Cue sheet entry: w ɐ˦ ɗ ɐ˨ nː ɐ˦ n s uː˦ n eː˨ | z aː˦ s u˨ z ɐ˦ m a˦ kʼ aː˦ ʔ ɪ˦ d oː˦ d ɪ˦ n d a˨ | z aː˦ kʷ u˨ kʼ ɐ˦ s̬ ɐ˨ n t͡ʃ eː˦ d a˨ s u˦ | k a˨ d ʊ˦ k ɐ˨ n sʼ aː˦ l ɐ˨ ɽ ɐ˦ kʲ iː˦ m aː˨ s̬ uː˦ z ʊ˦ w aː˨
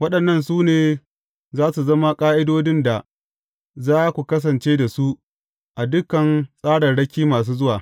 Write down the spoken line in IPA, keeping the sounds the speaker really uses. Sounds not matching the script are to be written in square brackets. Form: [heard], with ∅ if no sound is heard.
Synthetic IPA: w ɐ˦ ɗ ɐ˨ nː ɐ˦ n s uː˦ n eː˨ | z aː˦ s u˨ z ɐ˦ m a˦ kʼ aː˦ ʔ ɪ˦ d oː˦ d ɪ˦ n d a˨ | z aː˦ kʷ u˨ [k] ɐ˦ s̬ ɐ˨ n t͡ʃ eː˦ d a˨ s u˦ | [ʔ] a˨ d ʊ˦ k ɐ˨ n sʼ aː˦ [ɽ] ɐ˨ ɽ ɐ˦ kʲ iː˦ m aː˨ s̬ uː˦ z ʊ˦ w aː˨

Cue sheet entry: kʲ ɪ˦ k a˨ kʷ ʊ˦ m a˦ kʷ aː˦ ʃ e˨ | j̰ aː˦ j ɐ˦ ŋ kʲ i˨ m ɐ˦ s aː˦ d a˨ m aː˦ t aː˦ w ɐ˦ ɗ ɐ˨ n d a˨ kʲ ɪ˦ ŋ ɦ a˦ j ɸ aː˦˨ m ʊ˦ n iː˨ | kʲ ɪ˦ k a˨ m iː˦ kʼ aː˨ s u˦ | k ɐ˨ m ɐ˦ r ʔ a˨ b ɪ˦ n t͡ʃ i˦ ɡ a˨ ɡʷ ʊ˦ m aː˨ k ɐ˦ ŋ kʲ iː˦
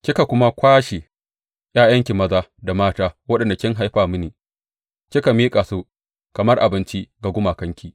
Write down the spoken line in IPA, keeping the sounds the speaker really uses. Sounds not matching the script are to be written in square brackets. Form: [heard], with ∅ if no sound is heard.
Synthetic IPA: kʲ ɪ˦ k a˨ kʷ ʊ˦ m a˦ kʷ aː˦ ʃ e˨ | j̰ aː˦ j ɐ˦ ŋ kʲ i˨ m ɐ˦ [z] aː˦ d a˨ m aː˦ t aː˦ w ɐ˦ ɗ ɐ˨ n d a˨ kʲ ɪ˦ ŋ ɦ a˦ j ɸ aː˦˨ m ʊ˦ n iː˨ | kʲ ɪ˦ k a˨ m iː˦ kʼ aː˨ s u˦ | k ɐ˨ m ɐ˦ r ʔ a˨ b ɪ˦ n t͡ʃ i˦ ɡ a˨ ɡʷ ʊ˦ m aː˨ k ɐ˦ ŋ kʲ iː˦

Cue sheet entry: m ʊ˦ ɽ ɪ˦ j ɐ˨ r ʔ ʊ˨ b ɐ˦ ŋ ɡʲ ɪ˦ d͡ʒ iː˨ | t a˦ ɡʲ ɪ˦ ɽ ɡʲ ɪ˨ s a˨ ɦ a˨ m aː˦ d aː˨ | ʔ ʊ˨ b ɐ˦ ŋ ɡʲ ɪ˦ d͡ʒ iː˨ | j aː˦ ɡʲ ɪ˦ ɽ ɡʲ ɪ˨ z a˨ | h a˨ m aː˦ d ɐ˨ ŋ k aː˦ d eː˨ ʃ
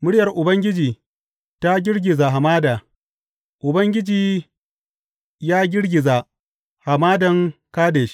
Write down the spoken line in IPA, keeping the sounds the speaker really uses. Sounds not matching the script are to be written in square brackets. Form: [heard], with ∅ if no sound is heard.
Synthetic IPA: m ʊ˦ ɽ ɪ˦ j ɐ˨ r ʔ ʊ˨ b ɐ˦ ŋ ɡʲ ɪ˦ d͡ʒ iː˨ | t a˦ ɡʲ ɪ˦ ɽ ɡʲ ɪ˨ [z] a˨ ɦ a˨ m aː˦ d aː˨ | ʔ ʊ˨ b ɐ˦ ŋ ɡʲ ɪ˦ d͡ʒ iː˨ | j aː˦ ɡʲ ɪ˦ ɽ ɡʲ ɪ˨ z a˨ | h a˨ m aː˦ d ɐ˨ ŋ k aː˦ d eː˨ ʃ

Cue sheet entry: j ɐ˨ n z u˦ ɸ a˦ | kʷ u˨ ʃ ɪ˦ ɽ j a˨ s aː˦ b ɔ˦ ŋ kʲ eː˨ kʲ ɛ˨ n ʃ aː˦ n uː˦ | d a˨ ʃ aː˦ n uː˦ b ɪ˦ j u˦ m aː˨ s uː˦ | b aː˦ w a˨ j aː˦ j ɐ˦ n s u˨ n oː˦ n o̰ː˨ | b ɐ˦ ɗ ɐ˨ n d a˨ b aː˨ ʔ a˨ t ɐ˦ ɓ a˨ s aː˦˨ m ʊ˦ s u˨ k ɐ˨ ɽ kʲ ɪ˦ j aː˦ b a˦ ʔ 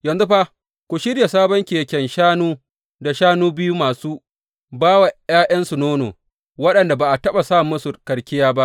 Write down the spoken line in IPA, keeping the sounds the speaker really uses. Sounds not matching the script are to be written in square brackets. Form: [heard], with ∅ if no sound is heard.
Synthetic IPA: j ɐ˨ n z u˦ ɸ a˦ | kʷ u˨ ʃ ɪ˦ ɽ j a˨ s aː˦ b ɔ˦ ŋ kʲ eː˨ kʲ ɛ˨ n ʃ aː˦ n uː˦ | d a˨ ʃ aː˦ n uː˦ b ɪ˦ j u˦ m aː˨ s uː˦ | b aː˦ w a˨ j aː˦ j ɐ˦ n s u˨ n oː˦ n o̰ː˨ | [w] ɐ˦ ɗ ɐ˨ n d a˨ b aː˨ ʔ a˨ t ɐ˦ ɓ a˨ s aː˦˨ m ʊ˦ s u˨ k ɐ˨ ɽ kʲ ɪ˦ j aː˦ b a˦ ʔ

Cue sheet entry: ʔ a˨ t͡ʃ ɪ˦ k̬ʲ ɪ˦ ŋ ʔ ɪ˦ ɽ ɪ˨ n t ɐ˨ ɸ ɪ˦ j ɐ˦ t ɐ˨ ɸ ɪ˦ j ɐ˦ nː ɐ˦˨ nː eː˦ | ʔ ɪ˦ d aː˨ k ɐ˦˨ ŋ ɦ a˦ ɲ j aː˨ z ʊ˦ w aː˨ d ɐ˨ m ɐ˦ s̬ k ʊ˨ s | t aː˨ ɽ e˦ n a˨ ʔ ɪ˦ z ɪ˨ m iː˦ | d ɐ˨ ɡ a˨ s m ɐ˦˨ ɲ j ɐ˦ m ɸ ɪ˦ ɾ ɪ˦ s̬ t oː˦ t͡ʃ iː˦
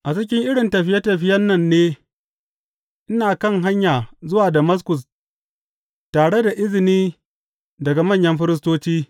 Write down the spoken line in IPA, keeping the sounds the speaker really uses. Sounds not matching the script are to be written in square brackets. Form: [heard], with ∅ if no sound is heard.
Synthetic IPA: ʔ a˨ t͡ʃ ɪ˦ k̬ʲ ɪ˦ ŋ ʔ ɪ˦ ɽ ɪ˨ n t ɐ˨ ɸ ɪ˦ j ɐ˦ t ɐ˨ ɸ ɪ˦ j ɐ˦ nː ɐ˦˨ nː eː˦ | ʔ ɪ˦ [n] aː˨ k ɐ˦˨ ŋ ɦ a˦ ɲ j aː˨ z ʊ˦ w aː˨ d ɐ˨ m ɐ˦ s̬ k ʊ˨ s | t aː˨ ɽ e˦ [d] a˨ ʔ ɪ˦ z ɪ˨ [n] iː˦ | d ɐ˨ ɡ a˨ [∅] m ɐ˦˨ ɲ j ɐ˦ m ɸ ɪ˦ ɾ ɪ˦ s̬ t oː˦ t͡ʃ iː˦

